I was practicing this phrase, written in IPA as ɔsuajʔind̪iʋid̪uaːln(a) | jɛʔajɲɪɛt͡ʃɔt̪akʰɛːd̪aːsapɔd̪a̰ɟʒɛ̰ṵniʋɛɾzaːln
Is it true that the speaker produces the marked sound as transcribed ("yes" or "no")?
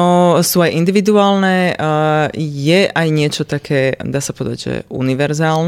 no